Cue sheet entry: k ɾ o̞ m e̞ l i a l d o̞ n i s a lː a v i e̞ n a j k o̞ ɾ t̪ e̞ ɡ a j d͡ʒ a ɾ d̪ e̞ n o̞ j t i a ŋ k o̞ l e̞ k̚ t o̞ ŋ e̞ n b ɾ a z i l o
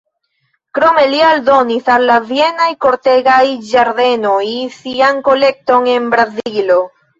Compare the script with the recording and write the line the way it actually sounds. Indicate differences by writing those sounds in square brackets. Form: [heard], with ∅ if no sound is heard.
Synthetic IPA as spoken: k ɾ o̞ m e̞ l i a l d o̞ n i s a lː a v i e̞ n a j k o̞ ɾ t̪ e̞ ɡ a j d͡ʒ a ɾ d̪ e̞ n o̞ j [s] i a ŋ k o̞ l e̞ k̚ t o̞ ŋ e̞ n b ɾ a z i l o